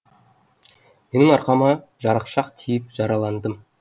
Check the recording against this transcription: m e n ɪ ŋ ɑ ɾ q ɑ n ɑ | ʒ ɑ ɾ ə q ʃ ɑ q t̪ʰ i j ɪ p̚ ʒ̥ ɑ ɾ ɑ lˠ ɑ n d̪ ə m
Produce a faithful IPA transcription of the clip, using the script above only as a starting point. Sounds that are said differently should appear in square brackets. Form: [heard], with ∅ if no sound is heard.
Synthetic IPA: m e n ɪ ŋ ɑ ɾ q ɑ [m] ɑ | ʒ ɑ ɾ ə q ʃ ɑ q t̪ʰ i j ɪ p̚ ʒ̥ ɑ ɾ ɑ lˠ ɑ n d̪ ə m